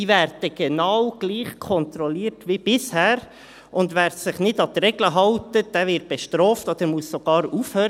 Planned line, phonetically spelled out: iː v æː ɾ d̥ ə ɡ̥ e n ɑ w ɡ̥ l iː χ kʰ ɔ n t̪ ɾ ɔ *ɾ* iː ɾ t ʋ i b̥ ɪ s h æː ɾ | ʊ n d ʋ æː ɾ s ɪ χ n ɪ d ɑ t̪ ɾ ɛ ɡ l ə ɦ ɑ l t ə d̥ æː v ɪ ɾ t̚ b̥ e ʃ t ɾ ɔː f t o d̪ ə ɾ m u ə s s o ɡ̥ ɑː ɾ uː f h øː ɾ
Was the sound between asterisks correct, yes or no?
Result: no